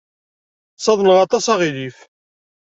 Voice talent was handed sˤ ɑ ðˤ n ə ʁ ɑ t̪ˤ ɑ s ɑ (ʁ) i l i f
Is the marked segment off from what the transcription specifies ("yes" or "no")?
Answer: no